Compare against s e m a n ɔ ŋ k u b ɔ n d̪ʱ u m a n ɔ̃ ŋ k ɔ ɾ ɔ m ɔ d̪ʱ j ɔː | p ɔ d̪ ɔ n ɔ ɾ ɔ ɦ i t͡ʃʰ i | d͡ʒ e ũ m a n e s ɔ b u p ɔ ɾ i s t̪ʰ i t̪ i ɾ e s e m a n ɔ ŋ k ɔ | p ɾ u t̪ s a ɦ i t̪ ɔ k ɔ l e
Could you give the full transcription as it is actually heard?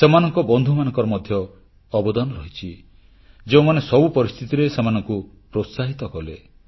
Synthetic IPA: s e m a n ɔ ŋ k ɔ b ɔ n d̪ʱ u m a n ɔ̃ ŋ k ɔ ɾ ɔ m ɔ d̪ʱ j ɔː | b ɔ d̪ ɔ n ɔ ɾ ɔ ɦ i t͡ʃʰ i | d͡ʒ e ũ m a n e s ɔ b u p ɔ ɾ i s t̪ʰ i t̪ i ɾ e s e m a n ɔ ŋ k u | p ɾ o t̪ s a ɦ i t̪ ɔ k ɔ l e